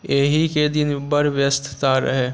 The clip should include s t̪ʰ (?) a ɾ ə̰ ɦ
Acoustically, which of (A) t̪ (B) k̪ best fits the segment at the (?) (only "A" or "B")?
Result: A